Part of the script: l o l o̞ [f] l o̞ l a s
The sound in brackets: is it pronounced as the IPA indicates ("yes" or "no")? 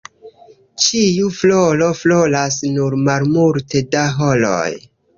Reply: yes